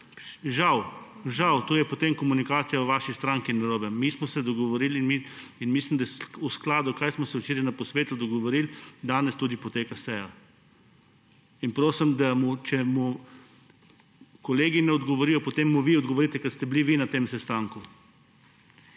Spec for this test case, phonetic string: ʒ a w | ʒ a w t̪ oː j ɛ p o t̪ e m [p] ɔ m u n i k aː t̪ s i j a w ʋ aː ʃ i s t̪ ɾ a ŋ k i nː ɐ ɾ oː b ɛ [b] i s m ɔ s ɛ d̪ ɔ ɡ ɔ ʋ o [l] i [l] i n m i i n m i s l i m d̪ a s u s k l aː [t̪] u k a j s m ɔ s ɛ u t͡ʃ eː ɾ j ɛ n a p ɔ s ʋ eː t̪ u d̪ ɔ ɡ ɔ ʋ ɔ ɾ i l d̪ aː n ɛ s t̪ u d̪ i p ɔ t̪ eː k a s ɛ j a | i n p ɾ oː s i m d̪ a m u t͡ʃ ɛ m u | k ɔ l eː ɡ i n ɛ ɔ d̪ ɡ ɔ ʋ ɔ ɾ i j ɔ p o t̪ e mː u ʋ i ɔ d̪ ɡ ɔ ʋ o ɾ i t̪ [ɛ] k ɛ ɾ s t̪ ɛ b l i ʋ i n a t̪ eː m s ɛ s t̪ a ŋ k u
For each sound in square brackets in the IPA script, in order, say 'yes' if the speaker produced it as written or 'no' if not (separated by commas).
no, no, no, yes, no, yes